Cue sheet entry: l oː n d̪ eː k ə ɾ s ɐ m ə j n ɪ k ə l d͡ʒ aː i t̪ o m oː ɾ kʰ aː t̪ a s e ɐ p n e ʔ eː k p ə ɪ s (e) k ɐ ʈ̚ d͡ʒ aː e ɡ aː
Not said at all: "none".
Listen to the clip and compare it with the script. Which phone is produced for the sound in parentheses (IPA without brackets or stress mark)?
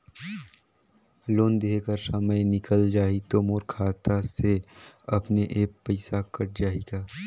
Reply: a